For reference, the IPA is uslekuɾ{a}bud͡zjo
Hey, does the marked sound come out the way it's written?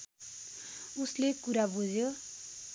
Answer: yes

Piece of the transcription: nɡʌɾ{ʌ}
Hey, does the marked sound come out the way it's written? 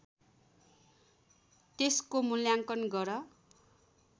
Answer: yes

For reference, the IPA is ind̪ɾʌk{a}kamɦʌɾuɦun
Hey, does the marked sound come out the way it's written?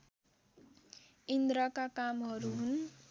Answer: yes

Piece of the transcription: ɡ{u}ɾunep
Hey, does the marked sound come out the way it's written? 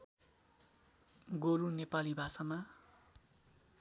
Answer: no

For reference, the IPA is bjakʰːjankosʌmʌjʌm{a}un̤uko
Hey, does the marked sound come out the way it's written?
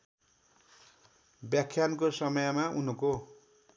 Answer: yes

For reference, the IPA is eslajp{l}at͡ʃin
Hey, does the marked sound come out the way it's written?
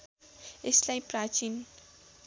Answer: no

